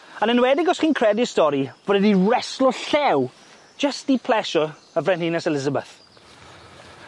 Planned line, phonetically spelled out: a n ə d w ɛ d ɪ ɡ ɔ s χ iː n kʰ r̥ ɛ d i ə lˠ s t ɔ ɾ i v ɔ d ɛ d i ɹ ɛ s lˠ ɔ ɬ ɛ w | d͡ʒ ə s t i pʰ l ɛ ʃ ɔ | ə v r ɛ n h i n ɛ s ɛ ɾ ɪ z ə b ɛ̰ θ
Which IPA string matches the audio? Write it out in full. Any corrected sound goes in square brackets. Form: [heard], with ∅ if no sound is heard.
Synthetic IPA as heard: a n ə [n] w ɛ d ɪ ɡ ɔ s χ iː n kʰ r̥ ɛ d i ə [∅] s t ɔ ɾ i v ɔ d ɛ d i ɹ ɛ s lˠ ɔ ɬ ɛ w | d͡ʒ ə s t i pʰ l ɛ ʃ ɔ | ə v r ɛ n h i n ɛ s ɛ [l] ɪ z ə b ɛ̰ θ